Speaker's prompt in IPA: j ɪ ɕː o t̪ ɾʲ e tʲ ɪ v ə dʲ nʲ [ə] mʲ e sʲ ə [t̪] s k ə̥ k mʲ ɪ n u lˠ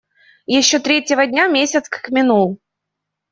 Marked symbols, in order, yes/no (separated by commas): no, yes